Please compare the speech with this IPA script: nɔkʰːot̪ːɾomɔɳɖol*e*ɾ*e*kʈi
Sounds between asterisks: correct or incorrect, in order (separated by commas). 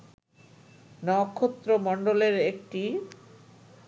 correct, correct